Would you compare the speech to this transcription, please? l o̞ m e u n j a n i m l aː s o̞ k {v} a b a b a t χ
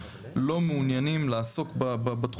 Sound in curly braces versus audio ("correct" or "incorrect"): incorrect